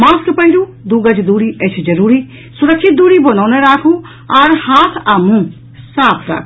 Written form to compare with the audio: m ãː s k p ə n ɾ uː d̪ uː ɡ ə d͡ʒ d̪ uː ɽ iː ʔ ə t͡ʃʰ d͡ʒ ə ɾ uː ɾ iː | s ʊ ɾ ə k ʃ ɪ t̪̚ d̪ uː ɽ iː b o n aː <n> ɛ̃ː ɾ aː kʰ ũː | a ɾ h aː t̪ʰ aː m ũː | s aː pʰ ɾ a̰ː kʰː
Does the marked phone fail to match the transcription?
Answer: no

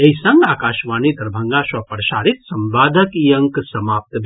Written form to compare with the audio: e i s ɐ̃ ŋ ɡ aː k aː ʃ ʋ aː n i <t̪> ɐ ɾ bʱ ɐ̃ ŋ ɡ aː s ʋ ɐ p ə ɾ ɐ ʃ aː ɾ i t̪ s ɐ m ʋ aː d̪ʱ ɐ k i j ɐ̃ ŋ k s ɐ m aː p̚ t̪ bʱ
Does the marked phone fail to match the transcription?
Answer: yes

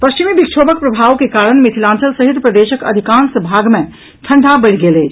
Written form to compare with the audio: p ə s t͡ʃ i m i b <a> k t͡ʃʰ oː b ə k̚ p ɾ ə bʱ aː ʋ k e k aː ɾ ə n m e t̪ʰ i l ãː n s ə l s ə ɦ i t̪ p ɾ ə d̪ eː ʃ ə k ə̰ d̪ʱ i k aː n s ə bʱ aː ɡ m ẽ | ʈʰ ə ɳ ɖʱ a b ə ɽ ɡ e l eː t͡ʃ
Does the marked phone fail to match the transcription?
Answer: yes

